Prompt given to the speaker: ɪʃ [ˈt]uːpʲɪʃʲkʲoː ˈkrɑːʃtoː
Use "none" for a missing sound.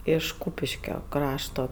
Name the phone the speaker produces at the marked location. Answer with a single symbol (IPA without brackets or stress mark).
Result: k